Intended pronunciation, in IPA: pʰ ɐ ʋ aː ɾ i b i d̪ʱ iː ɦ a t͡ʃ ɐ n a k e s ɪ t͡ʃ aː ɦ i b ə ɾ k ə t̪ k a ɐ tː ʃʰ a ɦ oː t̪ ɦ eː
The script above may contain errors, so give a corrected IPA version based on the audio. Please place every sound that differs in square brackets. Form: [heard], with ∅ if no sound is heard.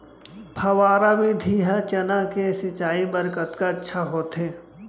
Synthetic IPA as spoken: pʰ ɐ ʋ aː ɾ [a] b i d̪ʱ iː ɦ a t͡ʃ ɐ n a k e s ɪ t͡ʃ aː [∅] i b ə ɾ k ə t̪ k a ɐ tː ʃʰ a ɦ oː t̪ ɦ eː